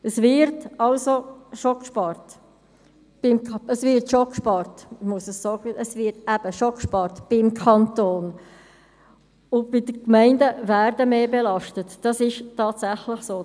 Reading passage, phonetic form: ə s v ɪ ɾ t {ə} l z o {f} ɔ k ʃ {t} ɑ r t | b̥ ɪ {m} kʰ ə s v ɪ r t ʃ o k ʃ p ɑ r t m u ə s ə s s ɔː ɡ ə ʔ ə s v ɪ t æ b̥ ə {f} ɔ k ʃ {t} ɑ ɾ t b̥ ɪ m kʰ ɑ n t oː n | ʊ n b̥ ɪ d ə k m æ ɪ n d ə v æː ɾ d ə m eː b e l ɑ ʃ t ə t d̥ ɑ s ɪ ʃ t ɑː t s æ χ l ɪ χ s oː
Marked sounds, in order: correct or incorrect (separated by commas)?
incorrect, incorrect, incorrect, correct, incorrect, incorrect